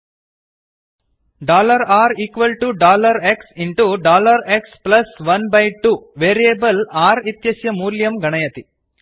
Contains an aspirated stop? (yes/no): no